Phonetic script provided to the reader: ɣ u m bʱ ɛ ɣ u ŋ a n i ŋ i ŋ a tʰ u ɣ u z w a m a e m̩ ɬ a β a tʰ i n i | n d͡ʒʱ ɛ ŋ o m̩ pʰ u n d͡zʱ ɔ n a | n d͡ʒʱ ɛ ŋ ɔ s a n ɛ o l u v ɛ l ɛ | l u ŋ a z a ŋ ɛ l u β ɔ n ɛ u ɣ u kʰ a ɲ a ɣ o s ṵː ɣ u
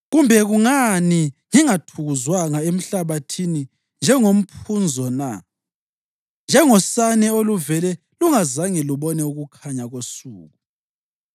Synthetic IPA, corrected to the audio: ɣ u m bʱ ɛ ɣ u ŋ a n i ŋ i ŋ a tʰ u ɣ u z w a ŋ a e m̩ ɬ a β a tʰ i n i | n d͡ʒʱ ɛ ŋ o m̩ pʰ u n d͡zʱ ɔ n a | n d͡ʒʱ ɛ ŋ ɔ s a n ɛ o l u v ɛ l ɛ | l u ŋ a z a ŋ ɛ l u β ɔ n ɛ u ɣ u kʰ a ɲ a ɣ o s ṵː ɣ u